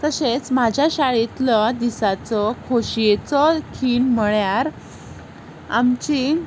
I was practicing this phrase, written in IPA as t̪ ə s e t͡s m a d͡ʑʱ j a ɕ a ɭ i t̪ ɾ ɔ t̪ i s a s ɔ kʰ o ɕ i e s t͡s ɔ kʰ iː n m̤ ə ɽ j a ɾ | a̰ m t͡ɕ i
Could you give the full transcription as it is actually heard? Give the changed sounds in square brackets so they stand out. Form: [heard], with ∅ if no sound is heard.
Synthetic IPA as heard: t̪ ə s e t͡s m a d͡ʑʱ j a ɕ a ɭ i t̪ [l] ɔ [d̪] i s a [t͡s] ɔ kʰ o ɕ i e [∅] t͡s ɔ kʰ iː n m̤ ə [ɭ] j a ɾ | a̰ m t͡ɕ i